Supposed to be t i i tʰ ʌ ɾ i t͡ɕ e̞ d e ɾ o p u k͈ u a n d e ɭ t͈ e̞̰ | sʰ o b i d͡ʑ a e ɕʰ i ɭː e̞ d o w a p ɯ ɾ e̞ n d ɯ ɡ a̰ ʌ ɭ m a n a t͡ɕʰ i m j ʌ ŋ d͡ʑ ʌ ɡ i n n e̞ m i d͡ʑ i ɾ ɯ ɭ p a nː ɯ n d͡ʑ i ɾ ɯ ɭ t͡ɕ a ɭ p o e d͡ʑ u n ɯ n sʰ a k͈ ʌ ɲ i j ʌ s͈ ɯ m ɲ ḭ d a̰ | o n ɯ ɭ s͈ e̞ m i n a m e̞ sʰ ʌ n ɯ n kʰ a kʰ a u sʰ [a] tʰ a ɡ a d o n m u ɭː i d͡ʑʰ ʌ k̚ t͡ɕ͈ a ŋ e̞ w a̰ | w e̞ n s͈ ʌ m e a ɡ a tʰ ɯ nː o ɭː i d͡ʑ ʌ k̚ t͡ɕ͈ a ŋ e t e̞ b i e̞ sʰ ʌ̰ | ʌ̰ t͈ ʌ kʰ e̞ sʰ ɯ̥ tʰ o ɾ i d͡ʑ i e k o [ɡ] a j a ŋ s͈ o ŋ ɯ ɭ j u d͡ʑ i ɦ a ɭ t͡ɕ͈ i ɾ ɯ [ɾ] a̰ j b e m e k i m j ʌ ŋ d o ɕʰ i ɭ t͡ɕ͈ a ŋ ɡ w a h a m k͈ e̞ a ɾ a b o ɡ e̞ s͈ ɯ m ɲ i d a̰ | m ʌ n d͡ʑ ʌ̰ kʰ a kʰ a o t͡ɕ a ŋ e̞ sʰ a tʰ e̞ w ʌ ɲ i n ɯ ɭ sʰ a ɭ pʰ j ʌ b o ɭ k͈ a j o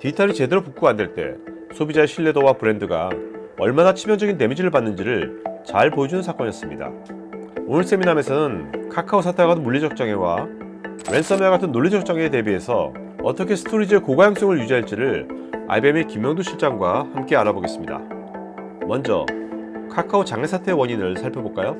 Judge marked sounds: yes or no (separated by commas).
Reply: yes, yes, no